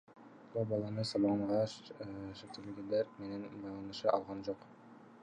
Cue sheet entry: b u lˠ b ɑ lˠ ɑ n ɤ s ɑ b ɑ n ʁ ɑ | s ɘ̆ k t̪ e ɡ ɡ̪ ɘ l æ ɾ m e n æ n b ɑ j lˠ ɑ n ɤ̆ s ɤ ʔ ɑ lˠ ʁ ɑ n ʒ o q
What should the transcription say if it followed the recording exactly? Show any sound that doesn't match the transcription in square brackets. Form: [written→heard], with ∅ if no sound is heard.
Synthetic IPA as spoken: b u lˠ b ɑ lˠ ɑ n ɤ s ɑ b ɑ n ʁ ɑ | [s→ʃ] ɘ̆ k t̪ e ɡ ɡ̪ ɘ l æ ɾ m e n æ n b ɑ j lˠ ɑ n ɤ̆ [s→ʃ] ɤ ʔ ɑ lˠ ʁ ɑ n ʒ o q